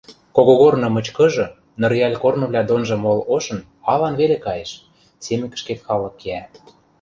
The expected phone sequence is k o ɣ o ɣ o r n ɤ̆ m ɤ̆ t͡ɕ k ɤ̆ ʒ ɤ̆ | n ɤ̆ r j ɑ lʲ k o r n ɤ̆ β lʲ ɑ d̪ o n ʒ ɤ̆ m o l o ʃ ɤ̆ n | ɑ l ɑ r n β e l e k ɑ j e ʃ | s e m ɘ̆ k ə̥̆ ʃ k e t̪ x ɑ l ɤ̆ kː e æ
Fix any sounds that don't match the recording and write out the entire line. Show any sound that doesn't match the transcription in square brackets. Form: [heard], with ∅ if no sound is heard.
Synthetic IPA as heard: k o ɣ o ɣ o r n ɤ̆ m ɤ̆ t͡ɕ k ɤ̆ ʒ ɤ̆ | n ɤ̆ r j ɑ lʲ k o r n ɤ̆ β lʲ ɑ d̪ o n ʒ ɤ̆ m o l o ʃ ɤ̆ n | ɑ l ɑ [∅] n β e l e k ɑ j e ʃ | s e m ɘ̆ k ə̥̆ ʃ k e t̪ x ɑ l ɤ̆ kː e æ

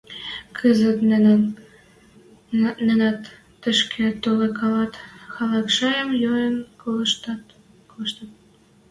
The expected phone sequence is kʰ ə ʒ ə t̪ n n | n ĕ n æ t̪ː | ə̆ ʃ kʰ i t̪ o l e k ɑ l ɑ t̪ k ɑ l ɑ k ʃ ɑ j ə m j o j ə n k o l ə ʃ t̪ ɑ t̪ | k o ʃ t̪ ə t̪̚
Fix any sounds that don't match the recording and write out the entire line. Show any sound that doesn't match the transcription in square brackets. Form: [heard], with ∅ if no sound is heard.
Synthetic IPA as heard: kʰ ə [z] ə t̪ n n | n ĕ n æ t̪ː | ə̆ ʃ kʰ [e] t̪ o l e k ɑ l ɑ t̪ [x] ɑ l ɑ k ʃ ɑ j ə m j o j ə n k o l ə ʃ t̪ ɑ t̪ | k o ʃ t̪ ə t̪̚

